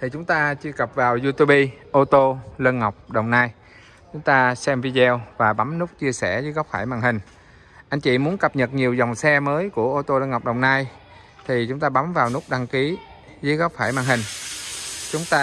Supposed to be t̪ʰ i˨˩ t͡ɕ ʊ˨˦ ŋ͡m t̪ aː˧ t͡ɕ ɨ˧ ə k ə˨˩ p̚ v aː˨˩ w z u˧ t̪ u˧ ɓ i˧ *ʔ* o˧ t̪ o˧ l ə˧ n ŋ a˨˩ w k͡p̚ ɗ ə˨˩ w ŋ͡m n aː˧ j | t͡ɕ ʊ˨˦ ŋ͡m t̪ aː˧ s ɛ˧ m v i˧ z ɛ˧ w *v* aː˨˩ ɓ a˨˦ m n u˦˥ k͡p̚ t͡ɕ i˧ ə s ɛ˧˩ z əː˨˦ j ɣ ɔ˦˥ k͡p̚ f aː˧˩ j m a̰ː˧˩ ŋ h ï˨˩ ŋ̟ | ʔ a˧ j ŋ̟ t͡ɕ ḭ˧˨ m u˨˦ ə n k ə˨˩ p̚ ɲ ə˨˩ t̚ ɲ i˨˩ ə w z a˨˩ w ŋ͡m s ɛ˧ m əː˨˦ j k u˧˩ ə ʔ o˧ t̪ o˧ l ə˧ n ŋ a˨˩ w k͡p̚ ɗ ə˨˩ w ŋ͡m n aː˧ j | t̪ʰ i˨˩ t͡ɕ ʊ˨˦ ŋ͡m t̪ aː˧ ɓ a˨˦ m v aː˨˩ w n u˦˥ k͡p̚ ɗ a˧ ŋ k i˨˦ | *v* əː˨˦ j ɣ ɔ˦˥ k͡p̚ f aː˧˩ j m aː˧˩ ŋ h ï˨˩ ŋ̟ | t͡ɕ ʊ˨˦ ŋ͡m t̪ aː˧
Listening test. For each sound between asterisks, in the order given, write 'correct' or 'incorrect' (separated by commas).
correct, correct, incorrect